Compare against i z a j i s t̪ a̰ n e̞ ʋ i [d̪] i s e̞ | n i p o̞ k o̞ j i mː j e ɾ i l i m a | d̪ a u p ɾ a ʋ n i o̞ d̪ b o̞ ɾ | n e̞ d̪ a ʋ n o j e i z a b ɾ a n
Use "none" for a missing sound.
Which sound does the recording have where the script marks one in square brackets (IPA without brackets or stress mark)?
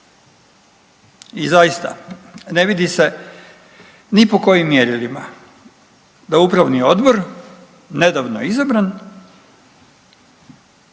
d̪